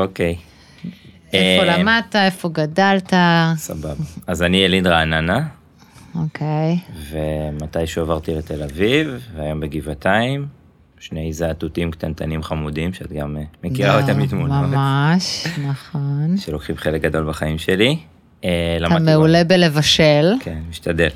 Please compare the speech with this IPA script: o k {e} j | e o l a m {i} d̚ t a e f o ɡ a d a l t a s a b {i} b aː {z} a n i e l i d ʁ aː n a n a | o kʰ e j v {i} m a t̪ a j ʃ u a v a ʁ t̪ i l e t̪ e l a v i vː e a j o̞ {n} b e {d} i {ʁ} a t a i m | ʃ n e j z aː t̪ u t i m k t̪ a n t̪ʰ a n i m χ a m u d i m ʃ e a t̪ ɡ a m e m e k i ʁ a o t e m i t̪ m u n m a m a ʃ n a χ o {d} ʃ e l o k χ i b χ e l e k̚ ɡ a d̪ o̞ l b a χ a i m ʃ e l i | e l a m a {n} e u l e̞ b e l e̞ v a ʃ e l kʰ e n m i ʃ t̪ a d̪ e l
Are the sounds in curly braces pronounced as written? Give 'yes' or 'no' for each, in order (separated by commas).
yes, no, no, yes, no, no, no, no, no, no